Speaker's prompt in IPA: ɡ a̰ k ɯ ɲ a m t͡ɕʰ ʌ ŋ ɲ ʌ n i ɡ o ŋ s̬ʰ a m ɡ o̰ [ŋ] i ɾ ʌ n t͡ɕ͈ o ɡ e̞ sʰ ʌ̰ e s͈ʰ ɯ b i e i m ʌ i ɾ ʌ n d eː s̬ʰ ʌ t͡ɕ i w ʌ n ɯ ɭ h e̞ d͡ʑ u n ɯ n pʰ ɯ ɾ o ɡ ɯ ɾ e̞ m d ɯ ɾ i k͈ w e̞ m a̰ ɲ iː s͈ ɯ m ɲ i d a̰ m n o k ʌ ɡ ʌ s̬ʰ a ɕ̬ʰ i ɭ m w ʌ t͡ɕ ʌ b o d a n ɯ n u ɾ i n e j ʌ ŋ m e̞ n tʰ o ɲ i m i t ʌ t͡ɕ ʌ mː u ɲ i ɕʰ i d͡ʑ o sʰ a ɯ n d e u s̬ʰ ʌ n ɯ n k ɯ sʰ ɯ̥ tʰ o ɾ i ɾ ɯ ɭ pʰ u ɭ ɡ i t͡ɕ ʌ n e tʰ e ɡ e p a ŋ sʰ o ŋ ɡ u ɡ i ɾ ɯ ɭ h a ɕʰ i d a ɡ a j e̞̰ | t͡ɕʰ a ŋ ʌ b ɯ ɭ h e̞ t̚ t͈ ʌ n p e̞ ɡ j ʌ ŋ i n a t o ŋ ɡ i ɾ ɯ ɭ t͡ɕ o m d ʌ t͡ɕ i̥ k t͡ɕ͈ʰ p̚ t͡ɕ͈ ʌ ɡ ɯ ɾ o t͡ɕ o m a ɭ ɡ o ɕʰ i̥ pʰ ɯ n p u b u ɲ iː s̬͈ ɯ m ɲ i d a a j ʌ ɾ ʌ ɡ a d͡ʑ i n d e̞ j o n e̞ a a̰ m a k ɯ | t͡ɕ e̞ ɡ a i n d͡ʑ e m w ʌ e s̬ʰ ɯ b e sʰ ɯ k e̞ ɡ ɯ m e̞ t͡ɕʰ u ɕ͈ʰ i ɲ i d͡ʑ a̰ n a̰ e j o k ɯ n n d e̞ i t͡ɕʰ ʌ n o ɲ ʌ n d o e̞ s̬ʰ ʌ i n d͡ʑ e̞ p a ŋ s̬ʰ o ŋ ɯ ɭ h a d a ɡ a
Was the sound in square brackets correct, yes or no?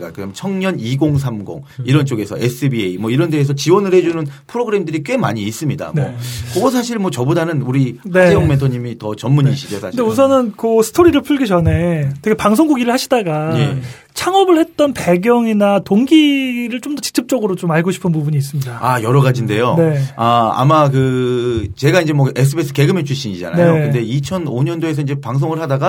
yes